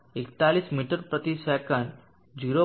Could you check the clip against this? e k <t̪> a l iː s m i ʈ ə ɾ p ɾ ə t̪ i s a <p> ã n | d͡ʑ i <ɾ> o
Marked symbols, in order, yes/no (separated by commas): yes, no, yes